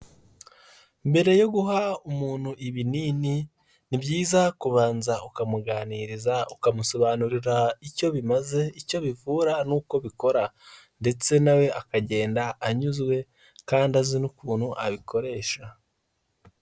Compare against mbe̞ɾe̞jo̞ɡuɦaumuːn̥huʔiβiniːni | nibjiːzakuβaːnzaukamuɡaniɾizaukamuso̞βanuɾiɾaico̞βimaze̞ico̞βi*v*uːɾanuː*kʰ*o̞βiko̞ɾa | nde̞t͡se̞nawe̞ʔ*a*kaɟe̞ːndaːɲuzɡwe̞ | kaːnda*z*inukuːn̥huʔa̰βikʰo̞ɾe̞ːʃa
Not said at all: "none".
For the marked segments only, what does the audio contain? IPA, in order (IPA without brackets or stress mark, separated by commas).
v, k, a, z